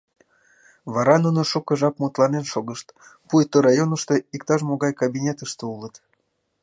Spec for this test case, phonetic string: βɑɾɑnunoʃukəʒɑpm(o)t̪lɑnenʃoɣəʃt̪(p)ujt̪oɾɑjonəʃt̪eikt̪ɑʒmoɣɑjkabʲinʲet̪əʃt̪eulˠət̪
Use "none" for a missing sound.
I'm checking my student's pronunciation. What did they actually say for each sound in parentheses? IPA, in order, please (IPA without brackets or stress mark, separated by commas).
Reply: u, p